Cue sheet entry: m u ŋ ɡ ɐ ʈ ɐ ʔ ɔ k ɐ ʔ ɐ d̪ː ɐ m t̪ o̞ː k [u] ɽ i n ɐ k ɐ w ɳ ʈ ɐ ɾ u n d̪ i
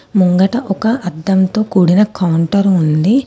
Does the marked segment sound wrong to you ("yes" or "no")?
yes